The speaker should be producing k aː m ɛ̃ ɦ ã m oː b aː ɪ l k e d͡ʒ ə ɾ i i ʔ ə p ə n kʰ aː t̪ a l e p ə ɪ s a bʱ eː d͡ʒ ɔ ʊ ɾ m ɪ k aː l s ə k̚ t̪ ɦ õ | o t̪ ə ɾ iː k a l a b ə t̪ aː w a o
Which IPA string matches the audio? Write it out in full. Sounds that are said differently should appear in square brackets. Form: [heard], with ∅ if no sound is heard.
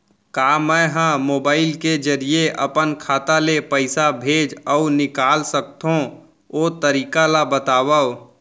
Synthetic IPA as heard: k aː m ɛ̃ ɦ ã m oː b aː ɪ l k e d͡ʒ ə ɾ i [e] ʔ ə p ə n kʰ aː t̪ a l e p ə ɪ s a bʱ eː d͡ʒ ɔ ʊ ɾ [n] ɪ k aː l s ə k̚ t̪ ɦ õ | o t̪ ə ɾ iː k a l a b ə t̪ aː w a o